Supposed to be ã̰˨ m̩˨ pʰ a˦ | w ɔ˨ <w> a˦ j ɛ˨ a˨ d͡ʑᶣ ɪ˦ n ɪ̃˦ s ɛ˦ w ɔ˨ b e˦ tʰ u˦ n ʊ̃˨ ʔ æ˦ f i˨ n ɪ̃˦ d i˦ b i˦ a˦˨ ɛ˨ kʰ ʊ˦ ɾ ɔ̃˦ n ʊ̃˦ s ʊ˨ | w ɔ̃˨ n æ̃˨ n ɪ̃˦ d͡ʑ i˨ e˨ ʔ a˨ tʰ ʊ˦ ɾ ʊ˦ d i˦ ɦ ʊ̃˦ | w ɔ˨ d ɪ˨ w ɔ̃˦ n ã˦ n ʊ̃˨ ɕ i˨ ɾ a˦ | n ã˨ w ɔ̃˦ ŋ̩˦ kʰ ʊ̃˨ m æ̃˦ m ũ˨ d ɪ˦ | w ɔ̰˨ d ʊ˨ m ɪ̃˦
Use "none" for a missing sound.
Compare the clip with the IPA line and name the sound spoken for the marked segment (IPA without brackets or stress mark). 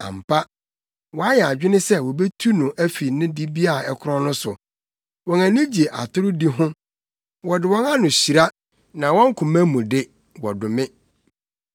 none